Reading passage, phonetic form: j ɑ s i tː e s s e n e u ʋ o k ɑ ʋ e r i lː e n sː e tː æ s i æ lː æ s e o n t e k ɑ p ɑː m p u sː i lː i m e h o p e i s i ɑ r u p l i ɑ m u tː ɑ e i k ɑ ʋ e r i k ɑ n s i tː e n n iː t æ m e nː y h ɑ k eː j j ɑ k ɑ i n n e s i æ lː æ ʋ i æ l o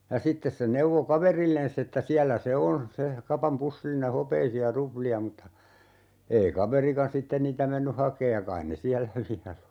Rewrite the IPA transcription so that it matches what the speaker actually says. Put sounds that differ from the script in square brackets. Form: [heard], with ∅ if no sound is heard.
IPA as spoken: j ɑ s i tː e s s e n e u ʋ o k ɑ ʋ e r i lː e n sː e tː æ s i æ lː æ s e o n [s] e k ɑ p [ɑ] m p u sː i lː i [n] e h o p e i s i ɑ r u p l i ɑ m u tː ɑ e i k ɑ ʋ e r i k ɑ n s i tː e n n iː t æ m e nː y h ɑ k eː j j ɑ k ɑ i n n e s i æ lː æ ʋ i æ l o